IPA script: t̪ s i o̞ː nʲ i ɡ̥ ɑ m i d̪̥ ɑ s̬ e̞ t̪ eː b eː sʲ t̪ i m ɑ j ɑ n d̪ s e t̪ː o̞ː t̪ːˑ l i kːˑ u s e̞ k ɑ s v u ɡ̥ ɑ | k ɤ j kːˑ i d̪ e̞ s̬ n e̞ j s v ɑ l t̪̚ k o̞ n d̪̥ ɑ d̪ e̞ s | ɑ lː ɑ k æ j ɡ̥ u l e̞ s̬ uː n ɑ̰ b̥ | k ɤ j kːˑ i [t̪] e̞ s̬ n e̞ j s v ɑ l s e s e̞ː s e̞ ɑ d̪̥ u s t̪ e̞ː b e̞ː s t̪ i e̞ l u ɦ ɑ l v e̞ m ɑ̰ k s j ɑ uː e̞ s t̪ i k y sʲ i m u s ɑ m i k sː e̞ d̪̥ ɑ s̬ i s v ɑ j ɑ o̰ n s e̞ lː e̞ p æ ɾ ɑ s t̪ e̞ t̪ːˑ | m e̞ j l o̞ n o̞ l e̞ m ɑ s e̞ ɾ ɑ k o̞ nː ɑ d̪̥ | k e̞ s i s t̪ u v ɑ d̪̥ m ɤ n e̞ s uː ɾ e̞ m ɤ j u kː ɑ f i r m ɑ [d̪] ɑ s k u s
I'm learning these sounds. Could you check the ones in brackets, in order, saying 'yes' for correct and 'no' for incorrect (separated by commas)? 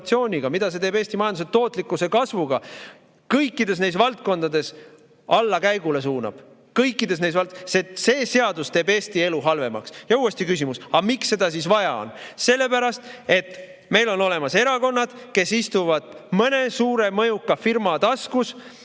no, no